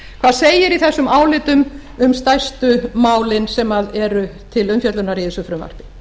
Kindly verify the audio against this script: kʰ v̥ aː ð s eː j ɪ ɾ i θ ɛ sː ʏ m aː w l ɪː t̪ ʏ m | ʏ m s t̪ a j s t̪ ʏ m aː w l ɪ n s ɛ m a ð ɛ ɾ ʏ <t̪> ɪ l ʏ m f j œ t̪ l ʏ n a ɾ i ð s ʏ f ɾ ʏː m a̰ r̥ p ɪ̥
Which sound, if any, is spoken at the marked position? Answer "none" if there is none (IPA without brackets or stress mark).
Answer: t̪ʰ